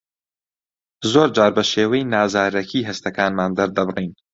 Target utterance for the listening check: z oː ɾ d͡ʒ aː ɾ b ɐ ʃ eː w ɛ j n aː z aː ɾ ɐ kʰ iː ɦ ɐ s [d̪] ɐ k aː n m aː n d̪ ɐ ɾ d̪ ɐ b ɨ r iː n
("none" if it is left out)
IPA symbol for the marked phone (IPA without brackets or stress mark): t̪